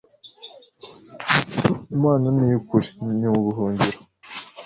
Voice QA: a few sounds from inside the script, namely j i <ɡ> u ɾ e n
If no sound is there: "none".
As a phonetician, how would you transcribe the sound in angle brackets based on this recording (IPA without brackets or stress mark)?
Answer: k